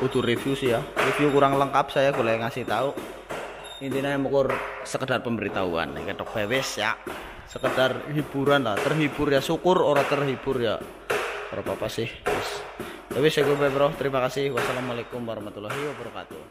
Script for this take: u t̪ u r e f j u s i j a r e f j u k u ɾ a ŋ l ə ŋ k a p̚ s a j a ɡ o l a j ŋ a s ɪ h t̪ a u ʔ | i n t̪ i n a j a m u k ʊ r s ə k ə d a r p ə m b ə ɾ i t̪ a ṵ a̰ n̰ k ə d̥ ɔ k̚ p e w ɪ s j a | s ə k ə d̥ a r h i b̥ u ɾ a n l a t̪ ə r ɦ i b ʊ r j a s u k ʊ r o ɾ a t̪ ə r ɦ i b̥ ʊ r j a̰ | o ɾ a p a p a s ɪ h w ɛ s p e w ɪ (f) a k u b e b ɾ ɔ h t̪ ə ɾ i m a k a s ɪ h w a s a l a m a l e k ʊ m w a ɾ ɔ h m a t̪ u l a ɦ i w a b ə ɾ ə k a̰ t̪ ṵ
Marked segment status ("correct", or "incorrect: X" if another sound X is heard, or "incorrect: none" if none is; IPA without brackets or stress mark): incorrect: s